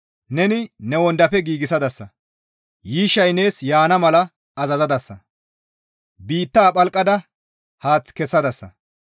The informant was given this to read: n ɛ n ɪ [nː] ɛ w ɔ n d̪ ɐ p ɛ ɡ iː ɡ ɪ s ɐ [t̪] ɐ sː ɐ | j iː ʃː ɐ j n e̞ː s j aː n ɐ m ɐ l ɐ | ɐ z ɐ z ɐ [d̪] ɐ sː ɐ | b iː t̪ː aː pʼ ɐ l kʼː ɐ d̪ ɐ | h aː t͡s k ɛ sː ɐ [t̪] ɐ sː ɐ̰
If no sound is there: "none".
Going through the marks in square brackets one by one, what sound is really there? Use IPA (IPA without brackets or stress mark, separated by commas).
n, d̪, d̪, d̪